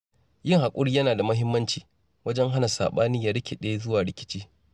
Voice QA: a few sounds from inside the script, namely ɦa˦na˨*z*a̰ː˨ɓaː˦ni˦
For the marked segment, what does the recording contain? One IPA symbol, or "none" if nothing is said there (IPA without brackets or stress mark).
s